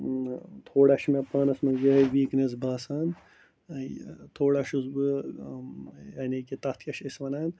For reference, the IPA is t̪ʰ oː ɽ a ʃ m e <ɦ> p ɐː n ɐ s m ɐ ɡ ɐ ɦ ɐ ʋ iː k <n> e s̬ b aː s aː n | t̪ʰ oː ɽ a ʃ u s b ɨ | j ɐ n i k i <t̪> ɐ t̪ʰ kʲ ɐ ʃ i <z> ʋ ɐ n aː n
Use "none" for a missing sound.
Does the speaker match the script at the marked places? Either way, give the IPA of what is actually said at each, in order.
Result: none, n, t̪, s

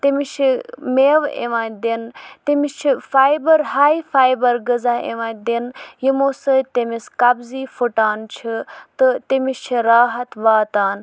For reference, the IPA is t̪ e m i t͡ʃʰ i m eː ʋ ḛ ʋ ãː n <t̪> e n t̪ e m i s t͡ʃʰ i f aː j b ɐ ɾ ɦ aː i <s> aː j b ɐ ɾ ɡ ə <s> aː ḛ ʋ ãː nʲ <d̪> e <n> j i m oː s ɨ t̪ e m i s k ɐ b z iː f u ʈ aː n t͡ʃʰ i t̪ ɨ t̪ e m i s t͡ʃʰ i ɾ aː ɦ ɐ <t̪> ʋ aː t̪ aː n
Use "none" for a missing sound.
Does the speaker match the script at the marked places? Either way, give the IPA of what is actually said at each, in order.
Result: d̪, f, z, d̪, n, t̪

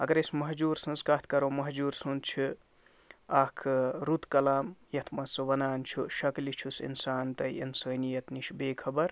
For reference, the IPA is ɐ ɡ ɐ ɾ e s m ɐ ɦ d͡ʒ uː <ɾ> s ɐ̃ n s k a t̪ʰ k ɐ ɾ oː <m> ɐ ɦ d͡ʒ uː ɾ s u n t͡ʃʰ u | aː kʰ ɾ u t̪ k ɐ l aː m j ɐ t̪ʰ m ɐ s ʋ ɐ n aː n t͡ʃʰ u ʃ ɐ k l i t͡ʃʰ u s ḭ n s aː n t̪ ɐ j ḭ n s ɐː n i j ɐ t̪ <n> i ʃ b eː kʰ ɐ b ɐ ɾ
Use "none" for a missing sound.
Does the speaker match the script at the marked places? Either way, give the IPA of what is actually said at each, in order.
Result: ɾ, m, n

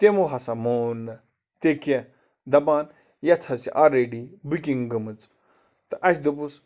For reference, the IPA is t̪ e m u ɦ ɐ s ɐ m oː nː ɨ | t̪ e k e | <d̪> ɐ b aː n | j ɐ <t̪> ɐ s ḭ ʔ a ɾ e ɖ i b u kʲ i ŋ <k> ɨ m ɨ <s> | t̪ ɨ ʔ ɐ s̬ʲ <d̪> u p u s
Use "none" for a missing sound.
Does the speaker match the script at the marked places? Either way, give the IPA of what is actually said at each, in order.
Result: d̪, t̪ʰ, ɡ, t͡s, d̪

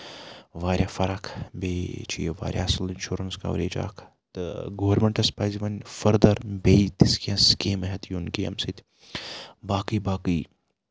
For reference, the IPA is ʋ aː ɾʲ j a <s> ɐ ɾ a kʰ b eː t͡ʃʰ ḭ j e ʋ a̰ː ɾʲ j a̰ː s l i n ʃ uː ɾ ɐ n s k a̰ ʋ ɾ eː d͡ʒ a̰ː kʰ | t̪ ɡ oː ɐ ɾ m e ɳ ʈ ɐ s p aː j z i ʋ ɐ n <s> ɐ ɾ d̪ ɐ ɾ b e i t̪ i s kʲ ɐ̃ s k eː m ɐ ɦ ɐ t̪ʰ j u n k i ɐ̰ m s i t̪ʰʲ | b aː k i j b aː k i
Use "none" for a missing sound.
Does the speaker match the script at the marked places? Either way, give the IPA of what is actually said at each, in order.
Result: f, f

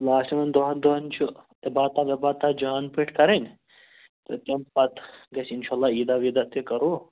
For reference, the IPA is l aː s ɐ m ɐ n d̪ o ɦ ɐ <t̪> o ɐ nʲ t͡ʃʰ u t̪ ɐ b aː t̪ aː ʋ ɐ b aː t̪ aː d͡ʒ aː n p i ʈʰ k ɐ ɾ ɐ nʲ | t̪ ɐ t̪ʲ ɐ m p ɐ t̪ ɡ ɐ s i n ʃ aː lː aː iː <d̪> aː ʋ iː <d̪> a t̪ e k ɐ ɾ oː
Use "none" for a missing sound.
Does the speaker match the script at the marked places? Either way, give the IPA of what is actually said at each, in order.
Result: d̪, d̪, d̪

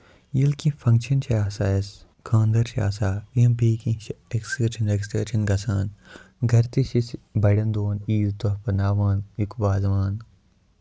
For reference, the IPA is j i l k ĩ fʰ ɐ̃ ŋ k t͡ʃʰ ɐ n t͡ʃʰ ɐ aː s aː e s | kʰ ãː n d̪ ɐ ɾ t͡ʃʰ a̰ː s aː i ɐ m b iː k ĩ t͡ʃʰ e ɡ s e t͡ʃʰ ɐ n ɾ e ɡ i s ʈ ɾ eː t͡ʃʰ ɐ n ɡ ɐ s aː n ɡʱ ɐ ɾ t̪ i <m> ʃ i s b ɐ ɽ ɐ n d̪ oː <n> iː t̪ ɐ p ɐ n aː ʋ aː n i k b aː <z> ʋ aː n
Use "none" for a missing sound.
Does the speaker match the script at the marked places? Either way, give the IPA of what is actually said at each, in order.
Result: none, n, z

